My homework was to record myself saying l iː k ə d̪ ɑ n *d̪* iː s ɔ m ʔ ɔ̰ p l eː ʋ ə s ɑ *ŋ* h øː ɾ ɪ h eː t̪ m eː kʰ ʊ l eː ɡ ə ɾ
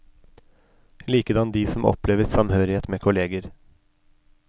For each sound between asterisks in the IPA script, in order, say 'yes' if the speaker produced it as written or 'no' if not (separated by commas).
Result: yes, no